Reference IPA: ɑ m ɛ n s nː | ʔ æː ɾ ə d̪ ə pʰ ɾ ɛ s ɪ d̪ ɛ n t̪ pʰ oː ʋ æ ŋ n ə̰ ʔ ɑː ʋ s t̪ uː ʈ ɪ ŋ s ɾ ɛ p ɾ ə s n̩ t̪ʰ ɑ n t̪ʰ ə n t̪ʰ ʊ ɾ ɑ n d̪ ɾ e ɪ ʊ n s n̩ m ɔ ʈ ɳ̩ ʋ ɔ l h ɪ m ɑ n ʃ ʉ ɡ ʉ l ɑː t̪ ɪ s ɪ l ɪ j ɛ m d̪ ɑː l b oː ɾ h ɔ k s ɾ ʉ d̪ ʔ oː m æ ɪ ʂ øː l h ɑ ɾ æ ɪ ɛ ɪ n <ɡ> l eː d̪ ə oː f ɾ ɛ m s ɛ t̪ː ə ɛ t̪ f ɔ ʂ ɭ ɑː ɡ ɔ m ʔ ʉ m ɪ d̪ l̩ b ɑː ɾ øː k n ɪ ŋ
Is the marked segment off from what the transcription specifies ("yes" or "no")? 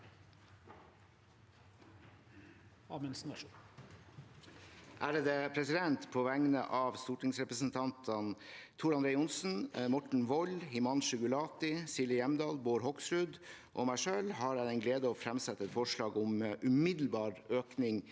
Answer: no